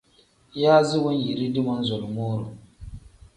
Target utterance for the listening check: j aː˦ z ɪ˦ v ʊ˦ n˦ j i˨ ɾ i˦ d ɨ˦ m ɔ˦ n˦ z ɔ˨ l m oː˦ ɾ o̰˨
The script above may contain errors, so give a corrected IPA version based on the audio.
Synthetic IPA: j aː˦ z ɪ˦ w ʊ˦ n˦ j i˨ ɾ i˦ d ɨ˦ m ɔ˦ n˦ z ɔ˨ l m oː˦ ɾ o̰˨